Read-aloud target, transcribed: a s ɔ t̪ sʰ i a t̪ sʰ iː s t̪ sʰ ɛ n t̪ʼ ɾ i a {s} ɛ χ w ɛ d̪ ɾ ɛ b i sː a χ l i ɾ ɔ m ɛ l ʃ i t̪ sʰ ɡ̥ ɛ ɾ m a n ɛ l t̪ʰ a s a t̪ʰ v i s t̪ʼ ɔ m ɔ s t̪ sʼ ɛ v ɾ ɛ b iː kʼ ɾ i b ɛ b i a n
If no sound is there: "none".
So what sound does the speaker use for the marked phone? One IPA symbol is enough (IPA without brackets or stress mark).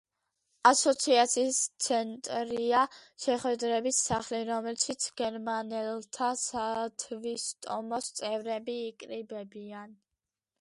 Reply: ʃ